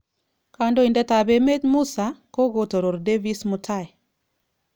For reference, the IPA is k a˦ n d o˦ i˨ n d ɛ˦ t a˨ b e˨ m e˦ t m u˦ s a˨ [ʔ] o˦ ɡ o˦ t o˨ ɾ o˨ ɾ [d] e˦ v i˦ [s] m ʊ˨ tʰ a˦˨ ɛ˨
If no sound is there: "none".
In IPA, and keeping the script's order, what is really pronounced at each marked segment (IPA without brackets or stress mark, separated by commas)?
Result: k, d, s